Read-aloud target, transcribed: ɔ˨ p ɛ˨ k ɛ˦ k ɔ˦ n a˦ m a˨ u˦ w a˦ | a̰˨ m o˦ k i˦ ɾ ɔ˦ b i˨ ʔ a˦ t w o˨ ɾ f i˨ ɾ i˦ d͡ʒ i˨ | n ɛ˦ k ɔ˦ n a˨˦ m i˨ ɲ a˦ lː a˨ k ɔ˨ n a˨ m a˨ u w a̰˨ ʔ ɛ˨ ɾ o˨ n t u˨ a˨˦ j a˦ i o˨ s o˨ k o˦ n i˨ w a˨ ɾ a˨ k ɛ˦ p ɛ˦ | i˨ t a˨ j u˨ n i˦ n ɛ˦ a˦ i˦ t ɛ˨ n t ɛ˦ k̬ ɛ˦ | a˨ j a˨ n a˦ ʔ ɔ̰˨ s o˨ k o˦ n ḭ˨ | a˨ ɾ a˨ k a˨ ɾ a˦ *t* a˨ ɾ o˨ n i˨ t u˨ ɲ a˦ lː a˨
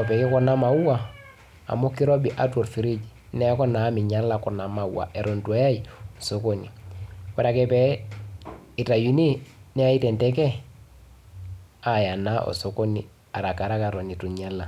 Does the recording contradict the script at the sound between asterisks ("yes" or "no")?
yes